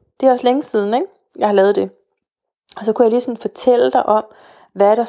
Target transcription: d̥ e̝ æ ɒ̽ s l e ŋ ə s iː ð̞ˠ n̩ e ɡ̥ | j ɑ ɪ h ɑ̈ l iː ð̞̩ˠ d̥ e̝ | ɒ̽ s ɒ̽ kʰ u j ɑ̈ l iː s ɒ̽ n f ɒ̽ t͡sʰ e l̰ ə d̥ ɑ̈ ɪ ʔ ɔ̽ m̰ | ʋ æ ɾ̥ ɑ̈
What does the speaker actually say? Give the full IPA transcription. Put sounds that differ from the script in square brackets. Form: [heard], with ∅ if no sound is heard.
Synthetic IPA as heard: d̥ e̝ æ ɒ̽ s l e ŋ ə s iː ð̞ˠ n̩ e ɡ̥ | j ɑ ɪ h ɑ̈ l [ɛː] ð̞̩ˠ d̥ e̝ | ɒ̽ s ɒ̽ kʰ u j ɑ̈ l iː s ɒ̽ n f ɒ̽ t͡sʰ e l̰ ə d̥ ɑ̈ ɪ ʔ [ɒ̽] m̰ | ʋ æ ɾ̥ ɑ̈